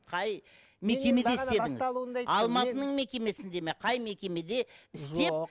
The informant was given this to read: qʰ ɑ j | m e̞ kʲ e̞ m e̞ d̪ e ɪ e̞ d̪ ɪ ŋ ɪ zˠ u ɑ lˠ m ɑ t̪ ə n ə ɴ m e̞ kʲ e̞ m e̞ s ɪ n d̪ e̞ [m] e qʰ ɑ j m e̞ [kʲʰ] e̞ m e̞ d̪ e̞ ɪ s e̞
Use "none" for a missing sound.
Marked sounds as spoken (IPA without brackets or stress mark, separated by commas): m, kʲ